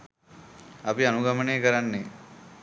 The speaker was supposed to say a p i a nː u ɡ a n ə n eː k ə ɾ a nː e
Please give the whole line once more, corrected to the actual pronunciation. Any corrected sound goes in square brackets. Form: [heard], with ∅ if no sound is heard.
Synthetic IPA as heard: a p i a [n] u ɡ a [m] ə n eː k ə ɾ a nː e